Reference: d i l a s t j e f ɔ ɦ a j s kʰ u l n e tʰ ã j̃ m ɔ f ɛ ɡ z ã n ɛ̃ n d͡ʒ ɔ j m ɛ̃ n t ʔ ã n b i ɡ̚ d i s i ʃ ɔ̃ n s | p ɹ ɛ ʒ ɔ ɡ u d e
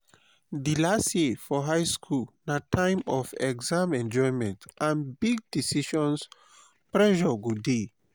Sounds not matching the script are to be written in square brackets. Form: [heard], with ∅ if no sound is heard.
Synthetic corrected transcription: d i l a s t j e f ɔ ɦ a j s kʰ u l n [a] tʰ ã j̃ m ɔ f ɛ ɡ z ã [m] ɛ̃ n d͡ʒ ɔ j m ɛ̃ n t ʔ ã n b i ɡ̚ d i s i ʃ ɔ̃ n s | p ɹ ɛ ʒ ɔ ɡ u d e